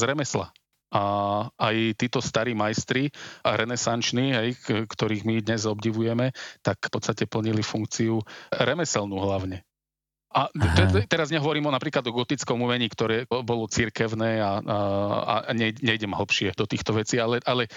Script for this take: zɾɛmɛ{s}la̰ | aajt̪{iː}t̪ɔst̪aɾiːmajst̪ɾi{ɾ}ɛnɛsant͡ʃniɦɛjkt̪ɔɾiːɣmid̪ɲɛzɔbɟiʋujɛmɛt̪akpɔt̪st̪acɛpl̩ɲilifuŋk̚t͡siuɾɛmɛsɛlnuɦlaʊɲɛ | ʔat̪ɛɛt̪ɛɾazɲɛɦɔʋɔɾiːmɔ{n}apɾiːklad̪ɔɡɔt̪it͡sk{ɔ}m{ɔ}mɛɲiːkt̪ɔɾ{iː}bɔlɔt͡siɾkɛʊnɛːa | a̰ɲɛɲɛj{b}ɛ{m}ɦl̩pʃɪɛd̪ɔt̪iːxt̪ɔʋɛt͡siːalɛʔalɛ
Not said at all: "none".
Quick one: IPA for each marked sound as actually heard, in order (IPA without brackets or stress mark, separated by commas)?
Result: s, iː, ɾ, n, ɔ, u, ɛː, ɟ, m